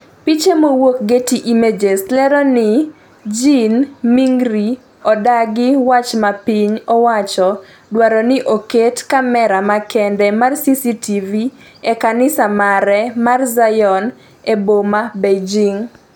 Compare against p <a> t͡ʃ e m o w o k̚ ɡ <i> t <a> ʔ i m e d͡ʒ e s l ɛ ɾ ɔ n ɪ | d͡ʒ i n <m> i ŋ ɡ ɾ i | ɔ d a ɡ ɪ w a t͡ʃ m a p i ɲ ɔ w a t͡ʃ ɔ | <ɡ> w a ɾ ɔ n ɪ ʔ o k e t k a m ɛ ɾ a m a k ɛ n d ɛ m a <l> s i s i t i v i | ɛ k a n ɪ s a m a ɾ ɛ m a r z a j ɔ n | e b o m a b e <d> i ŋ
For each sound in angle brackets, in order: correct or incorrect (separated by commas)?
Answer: incorrect, incorrect, incorrect, correct, incorrect, incorrect, incorrect